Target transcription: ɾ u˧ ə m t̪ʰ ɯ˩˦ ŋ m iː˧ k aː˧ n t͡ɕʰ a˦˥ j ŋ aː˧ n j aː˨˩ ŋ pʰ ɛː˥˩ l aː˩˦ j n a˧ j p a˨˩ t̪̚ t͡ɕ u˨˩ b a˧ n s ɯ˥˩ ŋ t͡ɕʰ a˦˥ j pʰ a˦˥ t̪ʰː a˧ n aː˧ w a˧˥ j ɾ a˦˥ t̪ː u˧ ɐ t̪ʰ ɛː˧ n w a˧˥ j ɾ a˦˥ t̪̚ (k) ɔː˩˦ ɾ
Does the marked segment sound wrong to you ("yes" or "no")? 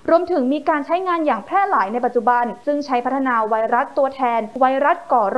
no